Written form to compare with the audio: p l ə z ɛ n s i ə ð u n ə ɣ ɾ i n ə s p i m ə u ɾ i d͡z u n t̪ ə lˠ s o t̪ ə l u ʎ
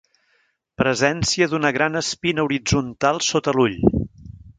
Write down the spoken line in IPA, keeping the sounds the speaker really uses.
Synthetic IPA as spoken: p ɾ ə z ɛ n s i ə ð u n ə ɣ ɾ a n ə s p i n ə u ɾ i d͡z u n t̪ a lˠ s o t̪ ə l u ʎ